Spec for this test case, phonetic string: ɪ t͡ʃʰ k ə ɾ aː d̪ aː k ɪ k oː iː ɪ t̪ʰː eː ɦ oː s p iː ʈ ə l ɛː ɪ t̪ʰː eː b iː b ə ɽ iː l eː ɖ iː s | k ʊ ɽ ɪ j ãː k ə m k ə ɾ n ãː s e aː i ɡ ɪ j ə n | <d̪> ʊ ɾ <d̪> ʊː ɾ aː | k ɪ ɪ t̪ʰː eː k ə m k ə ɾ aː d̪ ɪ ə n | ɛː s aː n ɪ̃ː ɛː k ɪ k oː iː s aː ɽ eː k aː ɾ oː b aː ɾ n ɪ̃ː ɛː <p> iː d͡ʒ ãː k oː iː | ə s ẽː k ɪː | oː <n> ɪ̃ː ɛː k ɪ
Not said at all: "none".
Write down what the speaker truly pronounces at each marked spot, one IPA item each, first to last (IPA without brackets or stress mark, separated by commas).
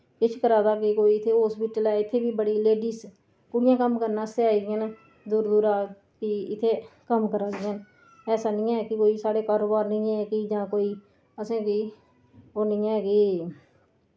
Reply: d̪, d̪, k, n